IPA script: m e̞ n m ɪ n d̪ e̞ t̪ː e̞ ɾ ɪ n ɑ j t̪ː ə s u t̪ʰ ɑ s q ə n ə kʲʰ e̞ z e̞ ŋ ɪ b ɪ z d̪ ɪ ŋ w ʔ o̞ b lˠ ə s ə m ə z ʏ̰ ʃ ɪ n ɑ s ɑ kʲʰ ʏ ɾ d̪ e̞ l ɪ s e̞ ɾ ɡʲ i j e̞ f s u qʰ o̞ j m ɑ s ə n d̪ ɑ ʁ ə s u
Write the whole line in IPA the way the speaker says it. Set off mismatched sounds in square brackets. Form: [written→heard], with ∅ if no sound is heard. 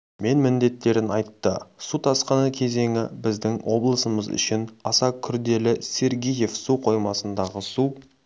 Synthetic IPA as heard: m e̞ n m ɪ n d̪ e̞ t̪ː e̞ ɾ ɪ n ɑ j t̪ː ə s u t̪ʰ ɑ s q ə n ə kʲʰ e̞ z e̞ ŋ ɪ b ɪ z d̪ ɪ ŋ w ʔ o̞ b lˠ ə s ə m ə z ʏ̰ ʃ ɪ n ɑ s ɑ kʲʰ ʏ ɾ d̪ e̞ l ɪ s e̞ ɾ ɡʲ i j e̞ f s u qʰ o̞ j m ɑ s ə n d̪ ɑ ʁ ə s u